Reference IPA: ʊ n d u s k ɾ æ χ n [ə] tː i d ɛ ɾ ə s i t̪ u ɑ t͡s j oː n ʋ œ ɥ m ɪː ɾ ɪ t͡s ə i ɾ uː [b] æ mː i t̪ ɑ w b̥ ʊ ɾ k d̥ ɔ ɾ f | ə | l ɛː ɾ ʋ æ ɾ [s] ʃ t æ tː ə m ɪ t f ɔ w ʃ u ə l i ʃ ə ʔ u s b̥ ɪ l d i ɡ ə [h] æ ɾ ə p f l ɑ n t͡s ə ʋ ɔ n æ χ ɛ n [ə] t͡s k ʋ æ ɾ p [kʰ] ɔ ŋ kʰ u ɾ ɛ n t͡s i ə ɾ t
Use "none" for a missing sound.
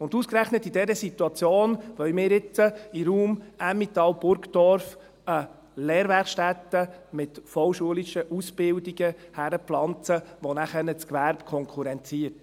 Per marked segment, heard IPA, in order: ə, m, χ, h, ə, kʰ

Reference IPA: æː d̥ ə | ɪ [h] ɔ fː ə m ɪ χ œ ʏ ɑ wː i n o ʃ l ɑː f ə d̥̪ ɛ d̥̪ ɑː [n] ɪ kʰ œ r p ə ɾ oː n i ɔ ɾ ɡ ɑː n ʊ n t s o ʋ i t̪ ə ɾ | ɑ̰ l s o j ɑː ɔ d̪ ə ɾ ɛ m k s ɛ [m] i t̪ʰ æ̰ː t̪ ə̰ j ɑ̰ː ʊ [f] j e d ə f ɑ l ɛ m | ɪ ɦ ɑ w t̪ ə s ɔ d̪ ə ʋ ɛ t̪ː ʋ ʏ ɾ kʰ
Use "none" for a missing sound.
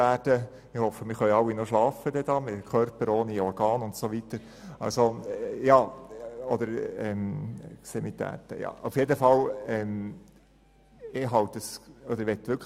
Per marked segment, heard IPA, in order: h, m, m, f

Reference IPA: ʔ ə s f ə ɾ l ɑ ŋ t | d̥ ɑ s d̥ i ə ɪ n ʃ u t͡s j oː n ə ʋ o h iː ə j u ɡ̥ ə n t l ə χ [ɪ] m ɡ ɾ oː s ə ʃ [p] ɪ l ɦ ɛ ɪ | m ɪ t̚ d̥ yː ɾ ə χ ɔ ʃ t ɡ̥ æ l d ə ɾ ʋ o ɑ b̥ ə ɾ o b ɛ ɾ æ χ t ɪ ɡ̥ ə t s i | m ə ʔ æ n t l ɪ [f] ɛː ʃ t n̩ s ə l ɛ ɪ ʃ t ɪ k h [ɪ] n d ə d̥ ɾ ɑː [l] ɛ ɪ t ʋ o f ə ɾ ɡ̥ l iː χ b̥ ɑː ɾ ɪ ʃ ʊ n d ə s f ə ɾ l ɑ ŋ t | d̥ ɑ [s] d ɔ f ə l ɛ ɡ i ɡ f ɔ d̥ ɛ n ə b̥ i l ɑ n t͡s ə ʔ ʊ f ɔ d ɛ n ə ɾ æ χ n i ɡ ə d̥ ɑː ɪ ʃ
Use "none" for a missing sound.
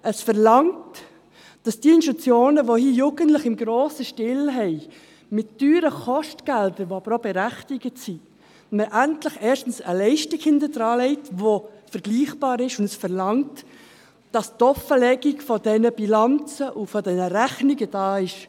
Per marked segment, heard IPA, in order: ɪ, t, χ, ɪ, l, s

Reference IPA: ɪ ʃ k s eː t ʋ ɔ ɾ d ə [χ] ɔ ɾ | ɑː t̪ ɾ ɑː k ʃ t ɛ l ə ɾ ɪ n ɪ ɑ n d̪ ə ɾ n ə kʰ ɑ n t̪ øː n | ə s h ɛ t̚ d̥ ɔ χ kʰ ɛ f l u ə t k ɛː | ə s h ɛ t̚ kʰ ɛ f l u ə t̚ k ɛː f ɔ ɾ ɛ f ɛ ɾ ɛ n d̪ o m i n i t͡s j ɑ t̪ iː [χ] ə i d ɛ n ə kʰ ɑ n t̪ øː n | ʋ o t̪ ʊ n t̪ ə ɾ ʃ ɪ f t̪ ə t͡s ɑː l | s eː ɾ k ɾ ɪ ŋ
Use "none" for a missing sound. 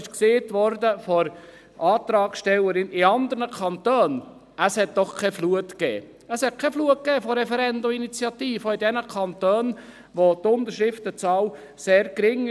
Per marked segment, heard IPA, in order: f, f

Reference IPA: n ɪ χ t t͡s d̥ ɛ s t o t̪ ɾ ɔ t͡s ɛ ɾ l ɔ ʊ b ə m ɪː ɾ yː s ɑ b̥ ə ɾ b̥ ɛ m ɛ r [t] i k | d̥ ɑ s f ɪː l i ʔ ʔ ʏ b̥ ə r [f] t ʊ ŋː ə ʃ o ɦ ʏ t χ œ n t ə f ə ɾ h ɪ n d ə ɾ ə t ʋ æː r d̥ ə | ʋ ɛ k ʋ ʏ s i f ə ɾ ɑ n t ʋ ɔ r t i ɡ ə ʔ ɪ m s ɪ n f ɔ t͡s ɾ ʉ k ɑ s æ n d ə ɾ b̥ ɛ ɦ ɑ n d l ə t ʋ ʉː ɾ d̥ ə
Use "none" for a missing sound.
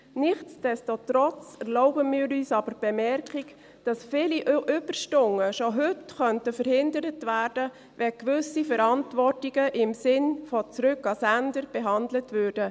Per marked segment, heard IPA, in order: k, ʃ

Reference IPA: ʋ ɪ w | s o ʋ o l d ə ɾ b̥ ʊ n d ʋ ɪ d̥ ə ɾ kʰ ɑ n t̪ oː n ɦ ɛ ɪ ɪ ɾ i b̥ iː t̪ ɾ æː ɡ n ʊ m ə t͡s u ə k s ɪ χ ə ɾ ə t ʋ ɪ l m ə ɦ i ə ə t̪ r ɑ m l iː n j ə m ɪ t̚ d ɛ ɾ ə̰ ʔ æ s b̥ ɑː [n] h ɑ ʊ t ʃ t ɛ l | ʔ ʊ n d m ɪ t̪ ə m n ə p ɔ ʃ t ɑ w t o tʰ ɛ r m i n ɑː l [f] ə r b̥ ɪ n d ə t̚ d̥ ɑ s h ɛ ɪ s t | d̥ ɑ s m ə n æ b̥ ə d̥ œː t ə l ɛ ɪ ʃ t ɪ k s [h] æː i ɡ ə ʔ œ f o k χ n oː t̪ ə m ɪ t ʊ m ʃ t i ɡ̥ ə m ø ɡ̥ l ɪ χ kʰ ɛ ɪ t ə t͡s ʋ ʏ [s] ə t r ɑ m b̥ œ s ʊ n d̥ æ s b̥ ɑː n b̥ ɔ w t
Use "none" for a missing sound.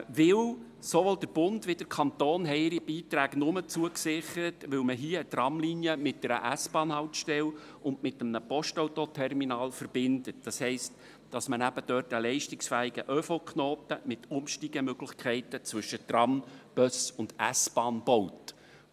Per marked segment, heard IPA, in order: n, f, f, ʃ

